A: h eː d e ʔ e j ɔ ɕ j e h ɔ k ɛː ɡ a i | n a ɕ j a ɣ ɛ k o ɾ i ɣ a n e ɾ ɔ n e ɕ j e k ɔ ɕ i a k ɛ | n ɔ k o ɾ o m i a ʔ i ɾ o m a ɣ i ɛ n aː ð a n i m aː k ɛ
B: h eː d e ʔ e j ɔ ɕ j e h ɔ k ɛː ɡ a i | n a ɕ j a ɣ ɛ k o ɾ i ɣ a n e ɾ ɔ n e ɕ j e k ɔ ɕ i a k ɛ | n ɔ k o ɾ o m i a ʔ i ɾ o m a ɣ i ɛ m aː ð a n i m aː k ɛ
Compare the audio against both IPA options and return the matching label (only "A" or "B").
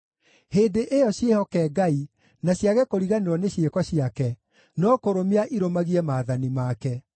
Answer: B